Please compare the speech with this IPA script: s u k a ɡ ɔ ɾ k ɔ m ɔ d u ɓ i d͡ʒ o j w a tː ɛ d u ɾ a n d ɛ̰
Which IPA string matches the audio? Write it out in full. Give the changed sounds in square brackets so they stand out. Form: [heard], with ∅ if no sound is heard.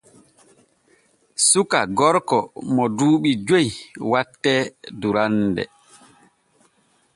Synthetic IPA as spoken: s u k a ɡ ɔ ɾ k ɔ m ɔ d [uː] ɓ i d͡ʒ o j w a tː ɛ d u ɾ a n d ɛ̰